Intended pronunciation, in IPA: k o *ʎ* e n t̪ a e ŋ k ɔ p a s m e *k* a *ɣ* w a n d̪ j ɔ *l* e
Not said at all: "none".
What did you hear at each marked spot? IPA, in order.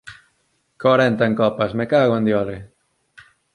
ɾ, k, ɣ, l

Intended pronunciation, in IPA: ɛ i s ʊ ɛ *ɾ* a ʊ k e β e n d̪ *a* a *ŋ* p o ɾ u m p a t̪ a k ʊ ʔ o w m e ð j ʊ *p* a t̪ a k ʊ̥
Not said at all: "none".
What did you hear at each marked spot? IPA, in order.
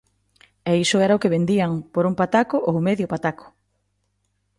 ɾ, i, ŋ, p

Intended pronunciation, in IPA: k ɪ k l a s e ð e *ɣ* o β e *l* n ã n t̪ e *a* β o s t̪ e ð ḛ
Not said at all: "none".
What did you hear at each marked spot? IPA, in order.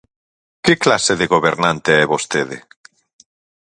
ɣ, ɾ, ɛ

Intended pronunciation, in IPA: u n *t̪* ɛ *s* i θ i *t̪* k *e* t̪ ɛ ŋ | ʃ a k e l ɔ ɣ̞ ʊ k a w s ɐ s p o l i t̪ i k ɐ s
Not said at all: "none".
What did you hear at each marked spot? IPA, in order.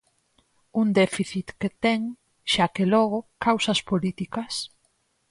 d̪, f, t̪, e

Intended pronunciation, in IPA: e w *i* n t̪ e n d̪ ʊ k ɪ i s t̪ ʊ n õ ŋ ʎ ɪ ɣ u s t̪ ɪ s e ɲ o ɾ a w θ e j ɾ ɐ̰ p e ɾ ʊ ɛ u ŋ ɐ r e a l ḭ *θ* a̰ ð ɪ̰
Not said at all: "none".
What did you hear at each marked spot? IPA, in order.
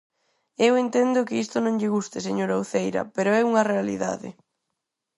e, ð

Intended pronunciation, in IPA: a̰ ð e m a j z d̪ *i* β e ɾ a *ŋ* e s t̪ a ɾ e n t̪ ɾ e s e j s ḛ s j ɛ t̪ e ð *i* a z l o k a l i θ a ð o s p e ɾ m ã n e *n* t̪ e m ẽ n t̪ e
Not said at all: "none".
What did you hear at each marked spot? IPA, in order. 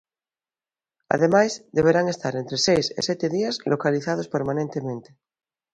e, ŋ, i, n

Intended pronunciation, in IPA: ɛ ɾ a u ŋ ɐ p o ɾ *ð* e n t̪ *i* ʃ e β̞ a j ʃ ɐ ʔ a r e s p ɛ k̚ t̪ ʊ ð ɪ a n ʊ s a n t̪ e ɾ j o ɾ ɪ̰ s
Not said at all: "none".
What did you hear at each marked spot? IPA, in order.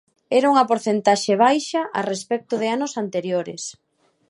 θ, a

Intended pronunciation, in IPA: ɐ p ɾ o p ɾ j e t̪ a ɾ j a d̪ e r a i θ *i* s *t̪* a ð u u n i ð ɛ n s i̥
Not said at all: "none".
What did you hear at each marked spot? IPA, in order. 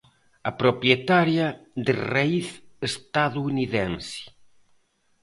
e, t̪

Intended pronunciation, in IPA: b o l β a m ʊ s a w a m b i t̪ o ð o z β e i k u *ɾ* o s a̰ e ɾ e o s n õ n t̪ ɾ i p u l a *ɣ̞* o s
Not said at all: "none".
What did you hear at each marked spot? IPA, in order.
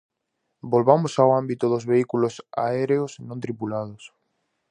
l, ð̞

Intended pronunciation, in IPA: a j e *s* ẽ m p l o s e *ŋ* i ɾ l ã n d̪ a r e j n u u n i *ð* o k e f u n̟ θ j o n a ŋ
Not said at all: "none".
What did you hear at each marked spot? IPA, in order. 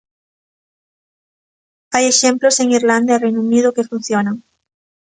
ʃ, ŋ, ð

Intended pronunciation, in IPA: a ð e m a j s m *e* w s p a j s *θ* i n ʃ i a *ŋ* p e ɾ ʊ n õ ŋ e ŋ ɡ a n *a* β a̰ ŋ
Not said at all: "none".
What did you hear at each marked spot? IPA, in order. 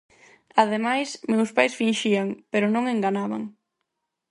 e, f, ŋ, a

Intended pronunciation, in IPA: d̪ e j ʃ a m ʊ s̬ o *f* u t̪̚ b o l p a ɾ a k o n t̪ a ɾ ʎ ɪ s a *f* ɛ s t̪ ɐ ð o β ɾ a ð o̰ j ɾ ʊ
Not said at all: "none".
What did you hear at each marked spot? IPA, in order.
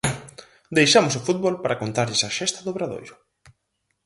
f, ʃ

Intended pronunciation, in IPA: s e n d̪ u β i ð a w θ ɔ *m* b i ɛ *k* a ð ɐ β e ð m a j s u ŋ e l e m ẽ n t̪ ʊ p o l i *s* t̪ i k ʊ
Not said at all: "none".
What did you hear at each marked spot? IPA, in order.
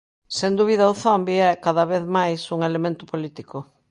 m, k, none

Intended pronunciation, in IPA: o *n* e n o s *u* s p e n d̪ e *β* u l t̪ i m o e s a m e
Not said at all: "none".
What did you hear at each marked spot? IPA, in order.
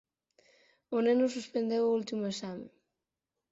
n, u, w

